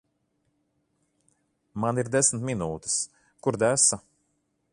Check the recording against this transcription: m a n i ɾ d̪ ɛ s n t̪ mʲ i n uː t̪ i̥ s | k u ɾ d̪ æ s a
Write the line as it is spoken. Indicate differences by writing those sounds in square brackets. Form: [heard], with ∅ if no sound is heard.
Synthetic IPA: m a n i ɾ d̪ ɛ s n t̪ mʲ i n uː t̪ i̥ s | k u ɾ d̪ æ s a